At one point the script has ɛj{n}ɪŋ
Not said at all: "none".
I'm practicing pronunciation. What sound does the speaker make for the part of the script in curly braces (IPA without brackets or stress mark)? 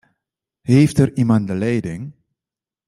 d